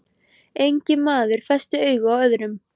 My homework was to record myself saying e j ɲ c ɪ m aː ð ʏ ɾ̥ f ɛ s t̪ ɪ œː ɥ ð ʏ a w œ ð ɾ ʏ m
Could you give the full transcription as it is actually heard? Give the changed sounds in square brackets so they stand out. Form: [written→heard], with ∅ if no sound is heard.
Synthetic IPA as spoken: e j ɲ c ɪ m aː ð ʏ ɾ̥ f ɛ s t̪ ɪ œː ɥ [ð→ɣ] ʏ a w œ ð ɾ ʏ m